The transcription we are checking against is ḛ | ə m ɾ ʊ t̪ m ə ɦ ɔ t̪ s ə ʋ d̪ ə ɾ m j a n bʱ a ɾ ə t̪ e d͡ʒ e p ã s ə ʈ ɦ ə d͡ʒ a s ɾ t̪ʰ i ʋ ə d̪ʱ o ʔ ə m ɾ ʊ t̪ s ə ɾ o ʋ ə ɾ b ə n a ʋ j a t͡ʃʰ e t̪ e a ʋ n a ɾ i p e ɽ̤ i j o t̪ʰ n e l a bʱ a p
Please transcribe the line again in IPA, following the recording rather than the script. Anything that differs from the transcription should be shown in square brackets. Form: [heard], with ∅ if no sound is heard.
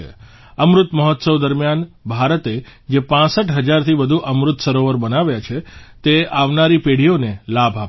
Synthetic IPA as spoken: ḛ | ə m ɾ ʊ t̪ m ə ɦ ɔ t̪ s ə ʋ d̪ ə ɾ m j a n bʱ a ɾ ə t̪ e d͡ʒ e p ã s ə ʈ ɦ ə d͡ʒ a [∅] ɾ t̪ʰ i ʋ ə d̪ʱ [u] ʔ ə m ɾ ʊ t̪ s ə ɾ o ʋ ə ɾ b ə n a ʋ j a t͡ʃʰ e t̪ e a ʋ n a ɾ i p e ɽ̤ i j o [∅] n e l a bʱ a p